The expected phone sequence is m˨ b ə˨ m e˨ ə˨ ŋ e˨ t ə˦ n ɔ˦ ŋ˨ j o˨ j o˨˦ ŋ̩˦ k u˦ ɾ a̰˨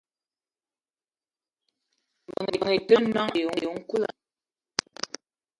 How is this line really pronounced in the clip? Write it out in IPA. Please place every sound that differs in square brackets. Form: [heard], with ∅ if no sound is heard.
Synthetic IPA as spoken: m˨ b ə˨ [ŋ] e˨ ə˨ ŋ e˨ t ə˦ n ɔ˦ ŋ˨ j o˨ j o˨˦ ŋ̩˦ k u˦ [l] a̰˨